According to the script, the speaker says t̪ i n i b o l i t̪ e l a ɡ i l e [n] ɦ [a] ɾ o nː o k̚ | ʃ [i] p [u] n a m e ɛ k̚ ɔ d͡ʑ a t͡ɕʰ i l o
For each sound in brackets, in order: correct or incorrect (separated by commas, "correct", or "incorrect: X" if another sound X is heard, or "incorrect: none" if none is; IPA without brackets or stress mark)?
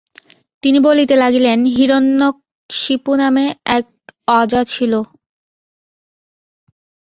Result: correct, incorrect: i, correct, correct